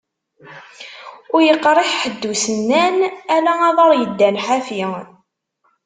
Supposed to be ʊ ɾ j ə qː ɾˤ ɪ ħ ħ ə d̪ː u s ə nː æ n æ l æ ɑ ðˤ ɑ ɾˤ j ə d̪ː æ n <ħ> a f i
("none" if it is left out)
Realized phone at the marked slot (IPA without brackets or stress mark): ħ